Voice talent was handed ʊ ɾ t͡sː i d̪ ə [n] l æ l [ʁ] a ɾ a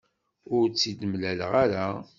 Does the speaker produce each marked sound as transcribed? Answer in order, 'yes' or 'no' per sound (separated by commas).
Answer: no, yes